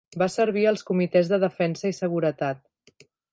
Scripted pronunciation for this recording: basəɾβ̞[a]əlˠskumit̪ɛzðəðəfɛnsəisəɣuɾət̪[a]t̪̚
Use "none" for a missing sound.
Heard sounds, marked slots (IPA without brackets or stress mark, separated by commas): i, a